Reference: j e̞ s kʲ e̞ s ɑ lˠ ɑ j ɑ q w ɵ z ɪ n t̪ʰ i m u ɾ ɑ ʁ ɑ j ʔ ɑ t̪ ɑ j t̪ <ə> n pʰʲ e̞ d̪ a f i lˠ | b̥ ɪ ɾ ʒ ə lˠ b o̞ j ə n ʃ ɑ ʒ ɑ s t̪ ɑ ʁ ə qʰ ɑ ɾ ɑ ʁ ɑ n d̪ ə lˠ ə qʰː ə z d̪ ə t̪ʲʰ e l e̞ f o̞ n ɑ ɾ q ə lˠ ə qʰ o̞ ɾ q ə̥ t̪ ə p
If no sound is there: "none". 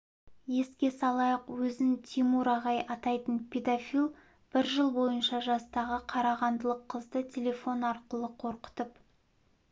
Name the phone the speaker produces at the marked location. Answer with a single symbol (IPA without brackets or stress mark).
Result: ə